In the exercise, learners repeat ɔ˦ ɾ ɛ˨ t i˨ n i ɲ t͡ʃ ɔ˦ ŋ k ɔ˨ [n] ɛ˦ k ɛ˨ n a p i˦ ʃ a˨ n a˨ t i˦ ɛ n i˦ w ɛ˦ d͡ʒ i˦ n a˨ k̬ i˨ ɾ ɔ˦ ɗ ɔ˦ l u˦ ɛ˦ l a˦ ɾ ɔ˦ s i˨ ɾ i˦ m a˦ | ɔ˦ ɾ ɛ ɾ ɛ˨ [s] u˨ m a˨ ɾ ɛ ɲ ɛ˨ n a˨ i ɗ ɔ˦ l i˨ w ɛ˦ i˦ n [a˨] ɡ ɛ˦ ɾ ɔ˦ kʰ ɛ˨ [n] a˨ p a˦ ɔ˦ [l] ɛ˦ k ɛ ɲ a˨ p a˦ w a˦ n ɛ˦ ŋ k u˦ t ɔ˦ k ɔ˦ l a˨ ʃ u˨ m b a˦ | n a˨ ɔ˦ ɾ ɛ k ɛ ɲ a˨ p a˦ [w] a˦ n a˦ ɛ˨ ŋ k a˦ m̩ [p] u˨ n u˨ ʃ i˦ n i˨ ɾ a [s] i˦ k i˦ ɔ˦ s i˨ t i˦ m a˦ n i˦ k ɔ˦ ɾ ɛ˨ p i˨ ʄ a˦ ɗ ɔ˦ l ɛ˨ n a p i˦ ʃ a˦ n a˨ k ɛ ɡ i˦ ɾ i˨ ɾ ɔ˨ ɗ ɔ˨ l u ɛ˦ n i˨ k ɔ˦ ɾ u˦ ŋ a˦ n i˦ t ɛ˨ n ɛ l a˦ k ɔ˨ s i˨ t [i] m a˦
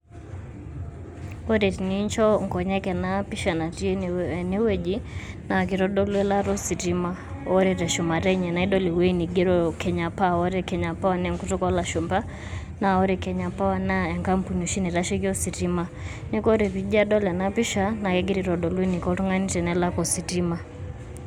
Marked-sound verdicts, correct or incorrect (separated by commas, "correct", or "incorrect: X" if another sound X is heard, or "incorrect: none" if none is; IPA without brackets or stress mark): incorrect: ɲ, incorrect: ʃ, incorrect: i˨, incorrect: ɲ, incorrect: ɾ, correct, correct, incorrect: ʃ, correct